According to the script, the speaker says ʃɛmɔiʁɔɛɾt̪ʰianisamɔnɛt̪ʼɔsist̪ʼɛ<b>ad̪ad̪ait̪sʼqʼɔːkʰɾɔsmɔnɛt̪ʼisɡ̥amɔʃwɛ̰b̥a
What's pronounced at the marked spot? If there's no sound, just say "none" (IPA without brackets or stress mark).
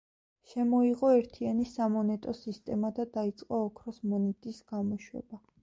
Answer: m